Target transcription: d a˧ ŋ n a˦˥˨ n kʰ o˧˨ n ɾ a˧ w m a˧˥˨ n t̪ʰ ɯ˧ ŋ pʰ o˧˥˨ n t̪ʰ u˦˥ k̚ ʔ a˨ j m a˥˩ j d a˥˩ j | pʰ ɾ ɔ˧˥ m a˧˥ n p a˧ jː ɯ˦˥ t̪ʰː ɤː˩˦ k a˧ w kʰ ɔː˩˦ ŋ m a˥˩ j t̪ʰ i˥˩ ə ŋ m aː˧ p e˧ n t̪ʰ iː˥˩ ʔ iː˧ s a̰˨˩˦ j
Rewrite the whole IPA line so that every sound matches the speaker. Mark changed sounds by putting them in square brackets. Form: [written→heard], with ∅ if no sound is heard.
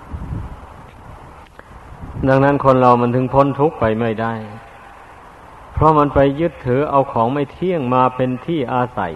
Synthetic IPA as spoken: d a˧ ŋ n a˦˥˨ n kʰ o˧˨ n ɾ a˧ w m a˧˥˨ n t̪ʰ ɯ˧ ŋ pʰ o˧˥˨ n t̪ʰ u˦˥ k̚ [ʔ→p] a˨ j m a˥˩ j d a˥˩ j | pʰ ɾ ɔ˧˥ m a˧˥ n p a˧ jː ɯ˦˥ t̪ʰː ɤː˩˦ [k→ʔ] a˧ w kʰ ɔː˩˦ ŋ m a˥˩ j t̪ʰ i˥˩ ə ŋ m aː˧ p e˧ n t̪ʰ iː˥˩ ʔ [iː˧→aː˧] s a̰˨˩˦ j